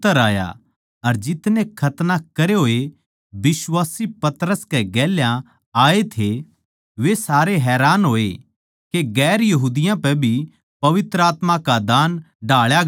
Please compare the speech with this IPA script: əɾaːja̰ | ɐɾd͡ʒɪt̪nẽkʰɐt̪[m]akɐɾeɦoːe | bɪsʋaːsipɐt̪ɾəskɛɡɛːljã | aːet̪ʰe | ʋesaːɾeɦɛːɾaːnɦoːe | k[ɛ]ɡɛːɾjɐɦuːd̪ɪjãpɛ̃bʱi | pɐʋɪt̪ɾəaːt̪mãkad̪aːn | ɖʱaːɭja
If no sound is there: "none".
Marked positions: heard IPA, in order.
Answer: n, e

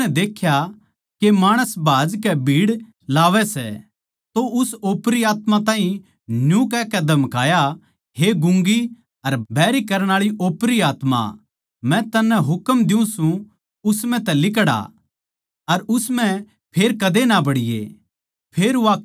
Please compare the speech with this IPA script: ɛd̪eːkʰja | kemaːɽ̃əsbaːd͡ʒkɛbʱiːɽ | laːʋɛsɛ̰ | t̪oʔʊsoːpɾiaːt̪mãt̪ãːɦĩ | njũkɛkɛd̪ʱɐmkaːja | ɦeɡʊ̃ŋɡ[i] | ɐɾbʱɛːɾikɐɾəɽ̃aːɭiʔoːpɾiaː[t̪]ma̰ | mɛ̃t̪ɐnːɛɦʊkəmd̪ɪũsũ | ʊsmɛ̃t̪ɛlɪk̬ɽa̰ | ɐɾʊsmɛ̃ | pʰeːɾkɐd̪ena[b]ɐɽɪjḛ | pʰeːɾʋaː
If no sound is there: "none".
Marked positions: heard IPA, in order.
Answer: i, t̪, b

